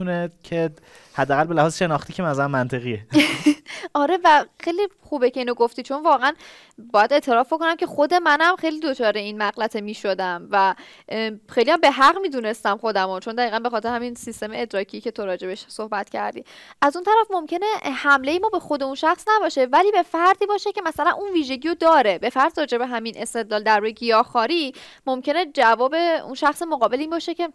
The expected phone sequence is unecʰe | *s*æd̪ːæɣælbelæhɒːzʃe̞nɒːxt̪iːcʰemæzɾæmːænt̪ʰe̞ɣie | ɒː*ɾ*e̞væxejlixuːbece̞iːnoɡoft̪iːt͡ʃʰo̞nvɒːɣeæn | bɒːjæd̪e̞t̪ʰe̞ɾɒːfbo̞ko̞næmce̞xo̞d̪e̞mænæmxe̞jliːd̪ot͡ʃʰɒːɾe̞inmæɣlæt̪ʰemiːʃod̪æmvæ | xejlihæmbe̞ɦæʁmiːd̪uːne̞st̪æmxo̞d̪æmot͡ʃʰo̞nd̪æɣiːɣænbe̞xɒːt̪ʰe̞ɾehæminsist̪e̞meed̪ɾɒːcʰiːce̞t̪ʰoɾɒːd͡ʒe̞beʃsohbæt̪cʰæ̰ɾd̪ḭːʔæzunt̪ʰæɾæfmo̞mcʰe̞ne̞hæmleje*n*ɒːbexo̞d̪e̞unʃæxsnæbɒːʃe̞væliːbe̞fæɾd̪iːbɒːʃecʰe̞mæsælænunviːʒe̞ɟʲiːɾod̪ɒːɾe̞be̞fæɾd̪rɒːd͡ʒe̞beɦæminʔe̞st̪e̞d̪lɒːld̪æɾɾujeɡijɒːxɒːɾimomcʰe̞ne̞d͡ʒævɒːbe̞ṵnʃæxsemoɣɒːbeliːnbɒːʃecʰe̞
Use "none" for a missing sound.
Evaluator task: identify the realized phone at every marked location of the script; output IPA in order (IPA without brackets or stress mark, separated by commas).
h, ɾ, m